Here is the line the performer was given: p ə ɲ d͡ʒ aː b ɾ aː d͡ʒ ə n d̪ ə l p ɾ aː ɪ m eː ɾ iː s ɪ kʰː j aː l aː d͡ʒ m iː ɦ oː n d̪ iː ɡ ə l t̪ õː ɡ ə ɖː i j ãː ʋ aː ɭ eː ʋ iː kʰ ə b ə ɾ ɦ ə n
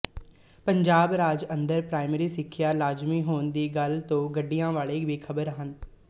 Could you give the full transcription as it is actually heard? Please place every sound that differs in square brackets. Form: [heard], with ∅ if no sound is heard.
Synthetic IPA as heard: p ə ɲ d͡ʒ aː b ɾ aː d͡ʒ ə n d̪ ə [ɾ] p ɾ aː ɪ m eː ɾ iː s ɪ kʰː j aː l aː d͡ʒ m iː ɦ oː n d̪ iː ɡ ə l t̪ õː ɡ ə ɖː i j ãː ʋ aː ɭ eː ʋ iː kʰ ə b ə ɾ ɦ ə n